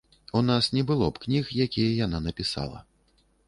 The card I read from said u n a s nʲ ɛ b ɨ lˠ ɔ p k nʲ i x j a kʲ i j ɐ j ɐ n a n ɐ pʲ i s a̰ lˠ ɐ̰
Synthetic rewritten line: u n a s nʲ ɛ b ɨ lˠ ɔ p k nʲ i x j a kʲ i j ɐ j a n a n ɐ pʲ i s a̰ lˠ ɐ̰